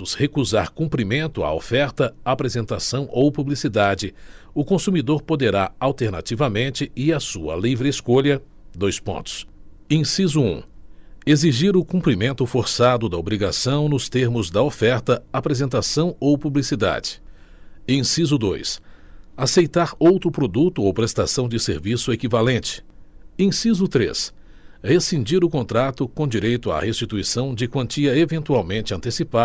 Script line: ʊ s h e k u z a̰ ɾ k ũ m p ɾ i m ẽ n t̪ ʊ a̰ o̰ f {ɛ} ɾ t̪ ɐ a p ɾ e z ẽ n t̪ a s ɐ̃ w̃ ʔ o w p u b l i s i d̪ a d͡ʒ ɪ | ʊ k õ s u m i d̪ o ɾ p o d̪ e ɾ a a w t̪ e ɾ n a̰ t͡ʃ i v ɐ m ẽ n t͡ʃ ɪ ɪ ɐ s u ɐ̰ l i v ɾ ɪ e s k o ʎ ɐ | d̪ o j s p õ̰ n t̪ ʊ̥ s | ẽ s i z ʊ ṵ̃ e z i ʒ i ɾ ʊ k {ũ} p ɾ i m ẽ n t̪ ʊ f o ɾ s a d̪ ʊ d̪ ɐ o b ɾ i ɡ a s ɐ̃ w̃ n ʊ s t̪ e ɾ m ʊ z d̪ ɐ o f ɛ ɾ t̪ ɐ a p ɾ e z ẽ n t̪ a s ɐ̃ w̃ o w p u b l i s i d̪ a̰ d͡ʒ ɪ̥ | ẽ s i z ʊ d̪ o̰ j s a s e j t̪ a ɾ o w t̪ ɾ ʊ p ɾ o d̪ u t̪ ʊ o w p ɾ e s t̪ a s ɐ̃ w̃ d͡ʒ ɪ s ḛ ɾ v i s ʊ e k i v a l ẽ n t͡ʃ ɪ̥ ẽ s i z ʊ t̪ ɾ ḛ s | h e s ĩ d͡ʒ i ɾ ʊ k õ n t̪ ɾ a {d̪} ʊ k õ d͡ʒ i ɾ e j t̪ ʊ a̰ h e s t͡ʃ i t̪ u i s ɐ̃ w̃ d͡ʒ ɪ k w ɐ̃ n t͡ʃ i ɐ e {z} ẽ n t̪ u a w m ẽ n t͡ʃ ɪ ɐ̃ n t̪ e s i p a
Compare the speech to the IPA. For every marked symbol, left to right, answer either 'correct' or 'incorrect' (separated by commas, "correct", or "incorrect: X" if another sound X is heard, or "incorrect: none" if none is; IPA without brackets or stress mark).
correct, correct, incorrect: t̪, incorrect: v